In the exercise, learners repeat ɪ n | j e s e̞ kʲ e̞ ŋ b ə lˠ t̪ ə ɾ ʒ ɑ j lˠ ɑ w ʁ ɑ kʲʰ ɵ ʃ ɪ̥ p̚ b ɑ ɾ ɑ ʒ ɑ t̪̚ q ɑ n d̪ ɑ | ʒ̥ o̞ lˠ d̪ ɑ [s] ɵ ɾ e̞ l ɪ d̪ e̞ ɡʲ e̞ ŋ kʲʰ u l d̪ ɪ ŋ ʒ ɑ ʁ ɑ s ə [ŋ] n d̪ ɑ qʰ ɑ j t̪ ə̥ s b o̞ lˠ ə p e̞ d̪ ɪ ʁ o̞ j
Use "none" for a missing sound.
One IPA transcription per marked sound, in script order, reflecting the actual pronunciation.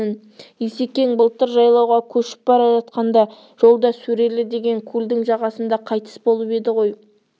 s, none

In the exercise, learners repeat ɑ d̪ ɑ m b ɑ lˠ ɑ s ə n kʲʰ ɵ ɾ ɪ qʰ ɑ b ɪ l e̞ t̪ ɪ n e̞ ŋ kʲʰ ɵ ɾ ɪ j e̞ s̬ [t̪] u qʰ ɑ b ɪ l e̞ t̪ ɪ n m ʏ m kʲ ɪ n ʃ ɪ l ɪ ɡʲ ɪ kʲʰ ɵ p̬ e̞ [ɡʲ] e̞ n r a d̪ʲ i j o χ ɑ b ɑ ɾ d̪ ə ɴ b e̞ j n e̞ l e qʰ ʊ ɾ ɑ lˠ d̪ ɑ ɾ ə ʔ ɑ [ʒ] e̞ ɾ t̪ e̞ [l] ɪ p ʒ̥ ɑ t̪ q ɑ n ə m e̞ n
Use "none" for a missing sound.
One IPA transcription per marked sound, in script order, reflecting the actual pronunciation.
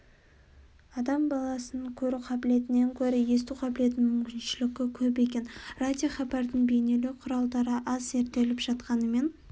t̪, kʲ, z, l

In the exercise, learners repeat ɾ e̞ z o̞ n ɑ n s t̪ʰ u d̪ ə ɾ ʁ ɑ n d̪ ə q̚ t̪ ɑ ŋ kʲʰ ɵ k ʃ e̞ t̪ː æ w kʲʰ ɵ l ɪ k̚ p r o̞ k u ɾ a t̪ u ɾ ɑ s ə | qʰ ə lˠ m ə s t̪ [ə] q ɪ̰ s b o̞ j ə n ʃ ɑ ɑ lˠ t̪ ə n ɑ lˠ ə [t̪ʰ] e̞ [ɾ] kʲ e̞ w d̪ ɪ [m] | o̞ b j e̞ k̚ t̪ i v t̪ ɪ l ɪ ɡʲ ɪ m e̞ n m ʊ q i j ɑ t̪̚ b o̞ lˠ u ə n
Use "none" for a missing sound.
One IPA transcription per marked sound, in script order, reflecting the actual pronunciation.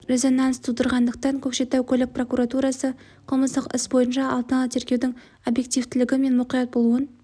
ə, t̪ʰ, ɾ, ŋ

